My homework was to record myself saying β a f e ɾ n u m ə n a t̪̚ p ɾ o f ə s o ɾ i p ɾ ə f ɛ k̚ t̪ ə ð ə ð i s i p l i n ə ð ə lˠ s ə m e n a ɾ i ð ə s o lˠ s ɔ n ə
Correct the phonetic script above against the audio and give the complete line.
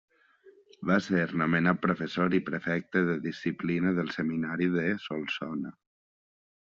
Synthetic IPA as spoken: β a s e ɾ n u m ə n a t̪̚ p ɾ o f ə s o ɾ i p ɾ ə f ɛ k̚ t̪ ə ð ə ð i s i p l i n ə ð ə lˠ s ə m i n a ɾ i ð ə s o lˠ s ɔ n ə